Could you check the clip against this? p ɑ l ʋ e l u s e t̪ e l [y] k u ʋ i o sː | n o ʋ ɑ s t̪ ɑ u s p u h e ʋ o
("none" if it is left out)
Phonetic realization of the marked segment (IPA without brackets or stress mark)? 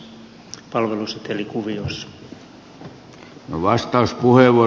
i